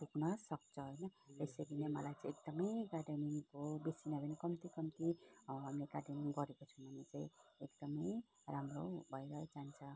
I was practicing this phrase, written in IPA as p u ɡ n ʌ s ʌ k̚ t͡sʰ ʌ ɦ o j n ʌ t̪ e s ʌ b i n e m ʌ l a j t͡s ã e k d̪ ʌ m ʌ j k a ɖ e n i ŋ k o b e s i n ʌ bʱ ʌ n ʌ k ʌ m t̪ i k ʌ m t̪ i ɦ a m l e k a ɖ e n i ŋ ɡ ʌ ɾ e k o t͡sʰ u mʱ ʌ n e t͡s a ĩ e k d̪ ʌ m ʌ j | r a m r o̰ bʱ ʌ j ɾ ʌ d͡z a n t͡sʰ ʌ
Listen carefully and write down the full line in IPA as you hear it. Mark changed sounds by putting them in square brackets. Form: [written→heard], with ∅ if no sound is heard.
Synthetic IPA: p u [ɡ→k] n ʌ s ʌ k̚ t͡sʰ ʌ ɦ o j n ʌ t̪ e s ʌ [b→ɡ] i n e m ʌ l a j t͡s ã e k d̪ ʌ m ʌ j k a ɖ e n i ŋ k o b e s i n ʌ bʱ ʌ n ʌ k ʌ m t̪ i k ʌ m t̪ i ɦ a m l e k a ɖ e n i ŋ ɡ ʌ ɾ e k o t͡sʰ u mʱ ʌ n e t͡s a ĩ e k d̪ ʌ m ʌ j | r a m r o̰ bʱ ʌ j ɾ ʌ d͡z a n t͡sʰ ʌ